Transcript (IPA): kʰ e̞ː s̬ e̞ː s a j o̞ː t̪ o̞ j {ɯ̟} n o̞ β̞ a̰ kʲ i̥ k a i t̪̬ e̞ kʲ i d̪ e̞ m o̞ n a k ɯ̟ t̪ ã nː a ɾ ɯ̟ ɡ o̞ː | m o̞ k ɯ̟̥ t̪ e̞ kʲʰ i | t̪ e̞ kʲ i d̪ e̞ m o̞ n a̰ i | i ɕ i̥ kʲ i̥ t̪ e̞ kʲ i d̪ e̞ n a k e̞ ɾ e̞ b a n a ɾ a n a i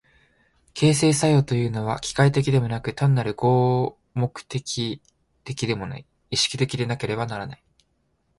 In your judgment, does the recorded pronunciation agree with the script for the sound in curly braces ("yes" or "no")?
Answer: no